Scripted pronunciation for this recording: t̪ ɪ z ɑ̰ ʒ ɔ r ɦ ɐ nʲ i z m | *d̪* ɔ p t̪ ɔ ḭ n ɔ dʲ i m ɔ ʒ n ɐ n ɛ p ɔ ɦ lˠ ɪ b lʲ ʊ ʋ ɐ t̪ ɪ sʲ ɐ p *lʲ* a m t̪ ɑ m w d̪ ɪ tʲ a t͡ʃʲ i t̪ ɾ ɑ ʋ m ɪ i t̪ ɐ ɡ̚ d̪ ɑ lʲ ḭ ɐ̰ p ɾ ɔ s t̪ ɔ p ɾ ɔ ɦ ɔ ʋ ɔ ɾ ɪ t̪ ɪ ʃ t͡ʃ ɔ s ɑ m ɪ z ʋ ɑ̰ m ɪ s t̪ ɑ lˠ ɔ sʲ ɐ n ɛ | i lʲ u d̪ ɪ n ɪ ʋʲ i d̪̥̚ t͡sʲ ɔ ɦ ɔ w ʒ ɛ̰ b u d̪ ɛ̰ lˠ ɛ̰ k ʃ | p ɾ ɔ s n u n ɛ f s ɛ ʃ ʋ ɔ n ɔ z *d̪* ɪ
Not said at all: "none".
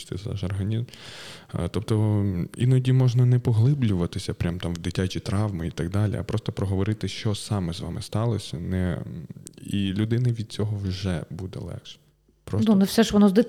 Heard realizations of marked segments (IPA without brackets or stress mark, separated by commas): t̪, ɾʲ, d̪